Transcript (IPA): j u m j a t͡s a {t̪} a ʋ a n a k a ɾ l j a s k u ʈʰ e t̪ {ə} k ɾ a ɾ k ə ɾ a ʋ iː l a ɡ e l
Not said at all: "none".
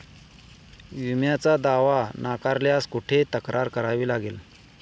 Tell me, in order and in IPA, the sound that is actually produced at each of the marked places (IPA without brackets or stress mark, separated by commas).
d̪, ə